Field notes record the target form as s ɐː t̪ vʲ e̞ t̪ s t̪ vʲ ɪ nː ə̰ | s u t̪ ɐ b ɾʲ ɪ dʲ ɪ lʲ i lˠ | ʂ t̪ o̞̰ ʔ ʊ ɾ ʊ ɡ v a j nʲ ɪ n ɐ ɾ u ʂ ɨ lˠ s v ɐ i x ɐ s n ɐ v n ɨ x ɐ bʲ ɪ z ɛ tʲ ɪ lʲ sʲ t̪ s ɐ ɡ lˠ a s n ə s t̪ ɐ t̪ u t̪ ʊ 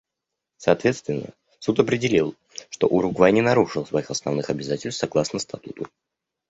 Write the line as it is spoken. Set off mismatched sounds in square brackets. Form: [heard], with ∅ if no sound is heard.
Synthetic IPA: s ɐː t̪ vʲ e̞ t̪ s t̪ vʲ ɪ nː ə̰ | s u t̪ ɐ [p] ɾʲ ɪ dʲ ɪ lʲ i lˠ | ʂ t̪ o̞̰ ʔ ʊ ɾ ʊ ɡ v a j nʲ ɪ n ɐ ɾ u ʂ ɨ lˠ s v ɐ i x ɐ s n ɐ v n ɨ x ɐ bʲ ɪ z [a] tʲ ɪ lʲ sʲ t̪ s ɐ ɡ lˠ a s n ə s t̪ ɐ t̪ u t̪ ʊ